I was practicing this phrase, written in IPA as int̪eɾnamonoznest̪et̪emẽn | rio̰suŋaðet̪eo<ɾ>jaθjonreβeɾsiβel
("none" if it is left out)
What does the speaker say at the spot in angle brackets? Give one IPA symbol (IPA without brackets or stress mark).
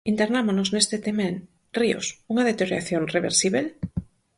ɾ